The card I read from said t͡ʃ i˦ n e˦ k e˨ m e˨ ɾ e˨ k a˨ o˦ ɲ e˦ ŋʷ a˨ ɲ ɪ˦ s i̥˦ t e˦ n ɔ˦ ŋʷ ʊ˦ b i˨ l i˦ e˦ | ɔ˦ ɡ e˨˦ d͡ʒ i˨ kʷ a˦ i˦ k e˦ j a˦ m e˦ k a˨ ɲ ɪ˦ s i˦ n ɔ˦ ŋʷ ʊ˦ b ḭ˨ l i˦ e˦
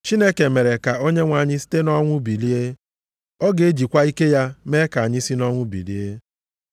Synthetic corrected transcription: t͡ʃ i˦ n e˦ k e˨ m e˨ ɾ e˨ k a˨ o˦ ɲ e˦ ŋʷ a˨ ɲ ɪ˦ s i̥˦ t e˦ n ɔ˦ ŋʷ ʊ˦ b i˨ l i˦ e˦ | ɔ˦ ɡ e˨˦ d͡ʒ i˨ kʷ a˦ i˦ k e˦ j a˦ m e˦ k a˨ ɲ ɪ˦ s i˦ n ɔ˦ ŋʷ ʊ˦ b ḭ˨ l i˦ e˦